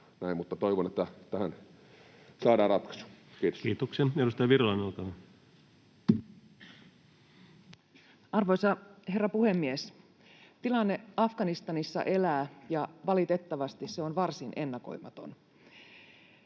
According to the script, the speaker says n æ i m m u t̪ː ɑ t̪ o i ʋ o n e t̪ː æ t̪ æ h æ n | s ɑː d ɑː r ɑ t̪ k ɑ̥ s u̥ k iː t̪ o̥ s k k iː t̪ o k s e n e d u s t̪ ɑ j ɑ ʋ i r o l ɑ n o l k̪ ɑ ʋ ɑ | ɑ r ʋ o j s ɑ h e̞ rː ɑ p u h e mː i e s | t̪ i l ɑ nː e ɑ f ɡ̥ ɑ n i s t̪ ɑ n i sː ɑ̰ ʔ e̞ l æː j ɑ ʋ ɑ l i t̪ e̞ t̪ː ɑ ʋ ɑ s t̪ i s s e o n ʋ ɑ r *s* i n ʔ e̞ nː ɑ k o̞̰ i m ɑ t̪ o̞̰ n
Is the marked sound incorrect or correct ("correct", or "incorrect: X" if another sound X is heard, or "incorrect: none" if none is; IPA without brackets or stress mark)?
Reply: correct